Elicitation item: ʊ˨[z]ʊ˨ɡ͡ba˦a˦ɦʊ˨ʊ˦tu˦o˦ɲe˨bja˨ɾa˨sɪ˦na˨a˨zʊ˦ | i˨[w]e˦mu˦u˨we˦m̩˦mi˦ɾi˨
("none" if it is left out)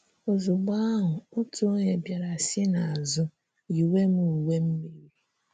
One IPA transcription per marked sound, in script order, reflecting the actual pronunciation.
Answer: z, w

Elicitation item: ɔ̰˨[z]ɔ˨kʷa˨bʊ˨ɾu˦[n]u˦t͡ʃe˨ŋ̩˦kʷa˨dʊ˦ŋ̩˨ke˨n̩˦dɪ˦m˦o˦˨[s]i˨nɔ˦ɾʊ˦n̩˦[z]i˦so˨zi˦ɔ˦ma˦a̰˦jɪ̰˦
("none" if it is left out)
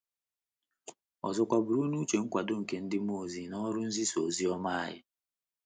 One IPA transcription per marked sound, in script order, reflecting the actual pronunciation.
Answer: z, n, z, z

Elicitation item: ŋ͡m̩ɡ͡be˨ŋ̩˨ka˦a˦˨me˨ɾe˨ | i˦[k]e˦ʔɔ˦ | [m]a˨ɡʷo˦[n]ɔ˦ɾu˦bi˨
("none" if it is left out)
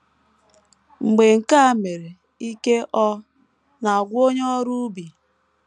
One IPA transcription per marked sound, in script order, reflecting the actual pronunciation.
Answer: k, n, ɲ

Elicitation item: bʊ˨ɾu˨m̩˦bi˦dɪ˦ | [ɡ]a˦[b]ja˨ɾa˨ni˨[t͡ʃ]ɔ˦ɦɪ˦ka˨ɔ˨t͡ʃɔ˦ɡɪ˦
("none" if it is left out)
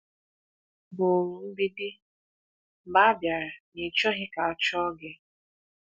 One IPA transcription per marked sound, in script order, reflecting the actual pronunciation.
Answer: b, b, t͡ʃ

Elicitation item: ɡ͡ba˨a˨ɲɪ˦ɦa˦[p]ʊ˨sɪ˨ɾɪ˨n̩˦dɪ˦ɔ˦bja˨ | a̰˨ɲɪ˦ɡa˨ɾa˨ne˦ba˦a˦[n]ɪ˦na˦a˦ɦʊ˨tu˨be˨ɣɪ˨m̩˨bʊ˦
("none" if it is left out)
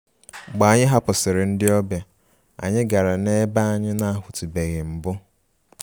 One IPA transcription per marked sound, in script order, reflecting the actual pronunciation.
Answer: p, ɲ

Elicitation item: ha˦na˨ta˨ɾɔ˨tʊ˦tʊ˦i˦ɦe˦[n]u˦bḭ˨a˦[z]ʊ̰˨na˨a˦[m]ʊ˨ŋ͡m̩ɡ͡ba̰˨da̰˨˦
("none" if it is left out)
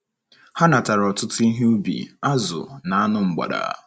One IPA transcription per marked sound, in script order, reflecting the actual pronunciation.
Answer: none, z, n

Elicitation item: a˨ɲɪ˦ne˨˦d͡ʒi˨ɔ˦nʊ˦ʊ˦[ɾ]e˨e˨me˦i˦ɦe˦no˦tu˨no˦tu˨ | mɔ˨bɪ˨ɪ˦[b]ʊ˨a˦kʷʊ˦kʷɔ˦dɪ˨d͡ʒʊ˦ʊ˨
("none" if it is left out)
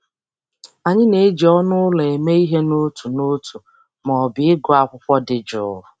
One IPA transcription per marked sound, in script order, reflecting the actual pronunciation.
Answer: l, ɡ

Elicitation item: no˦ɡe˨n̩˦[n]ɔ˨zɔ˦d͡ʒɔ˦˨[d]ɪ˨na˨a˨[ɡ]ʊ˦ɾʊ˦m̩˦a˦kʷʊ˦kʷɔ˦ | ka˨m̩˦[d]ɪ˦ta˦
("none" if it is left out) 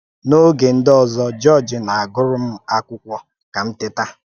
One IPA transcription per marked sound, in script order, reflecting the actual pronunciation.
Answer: d, d͡ʒ, ɡ, t

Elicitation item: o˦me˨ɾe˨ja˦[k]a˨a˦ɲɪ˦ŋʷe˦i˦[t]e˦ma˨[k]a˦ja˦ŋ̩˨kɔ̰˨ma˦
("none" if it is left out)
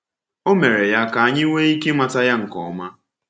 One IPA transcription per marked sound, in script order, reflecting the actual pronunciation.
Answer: k, k, t

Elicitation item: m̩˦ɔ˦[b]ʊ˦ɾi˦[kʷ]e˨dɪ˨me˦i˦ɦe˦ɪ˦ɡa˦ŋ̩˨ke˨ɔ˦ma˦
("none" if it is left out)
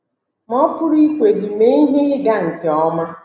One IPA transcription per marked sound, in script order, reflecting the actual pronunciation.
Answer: p, kʷ

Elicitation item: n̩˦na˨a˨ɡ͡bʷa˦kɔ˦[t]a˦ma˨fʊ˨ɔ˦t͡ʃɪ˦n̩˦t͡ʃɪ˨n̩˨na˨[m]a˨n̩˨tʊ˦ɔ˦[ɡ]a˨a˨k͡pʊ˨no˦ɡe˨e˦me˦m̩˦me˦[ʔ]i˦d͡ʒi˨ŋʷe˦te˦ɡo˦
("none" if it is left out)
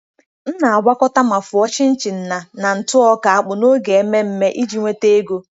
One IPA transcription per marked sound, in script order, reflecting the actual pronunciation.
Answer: t, n, k, ʔ

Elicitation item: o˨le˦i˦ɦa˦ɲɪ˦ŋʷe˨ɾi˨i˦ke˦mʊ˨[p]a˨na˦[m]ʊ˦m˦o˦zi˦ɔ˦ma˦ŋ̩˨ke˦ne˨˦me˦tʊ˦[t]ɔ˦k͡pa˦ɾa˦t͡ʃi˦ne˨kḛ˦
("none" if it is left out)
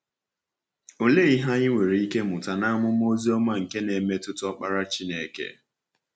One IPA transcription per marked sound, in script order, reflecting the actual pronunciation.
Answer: t, m, t

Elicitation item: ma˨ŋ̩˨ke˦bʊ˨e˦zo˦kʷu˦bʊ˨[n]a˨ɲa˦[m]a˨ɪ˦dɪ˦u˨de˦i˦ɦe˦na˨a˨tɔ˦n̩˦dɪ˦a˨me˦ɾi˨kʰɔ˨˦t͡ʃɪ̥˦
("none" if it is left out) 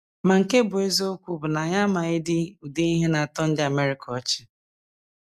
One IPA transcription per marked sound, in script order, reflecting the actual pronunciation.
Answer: n, m

